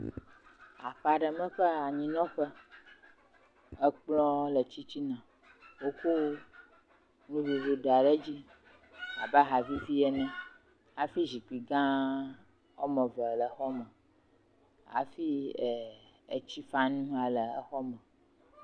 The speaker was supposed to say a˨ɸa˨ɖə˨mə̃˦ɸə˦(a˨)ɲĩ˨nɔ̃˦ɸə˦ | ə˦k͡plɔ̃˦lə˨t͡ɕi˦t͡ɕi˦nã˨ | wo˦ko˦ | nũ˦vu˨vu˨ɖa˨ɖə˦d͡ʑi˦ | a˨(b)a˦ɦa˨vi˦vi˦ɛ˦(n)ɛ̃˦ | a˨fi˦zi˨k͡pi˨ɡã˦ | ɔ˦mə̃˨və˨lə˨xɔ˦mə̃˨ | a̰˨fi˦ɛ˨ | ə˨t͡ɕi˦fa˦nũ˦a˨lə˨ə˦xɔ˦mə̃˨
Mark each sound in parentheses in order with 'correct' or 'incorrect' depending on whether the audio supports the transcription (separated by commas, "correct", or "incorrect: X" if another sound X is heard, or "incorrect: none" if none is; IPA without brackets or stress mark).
correct, correct, correct